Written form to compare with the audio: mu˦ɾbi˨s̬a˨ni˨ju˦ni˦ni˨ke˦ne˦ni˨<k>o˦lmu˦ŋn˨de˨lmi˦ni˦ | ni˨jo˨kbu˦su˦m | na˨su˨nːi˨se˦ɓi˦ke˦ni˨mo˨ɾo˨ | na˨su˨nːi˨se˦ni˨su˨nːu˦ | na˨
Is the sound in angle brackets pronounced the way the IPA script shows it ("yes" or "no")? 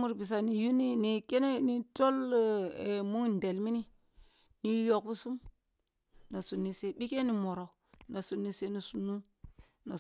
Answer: no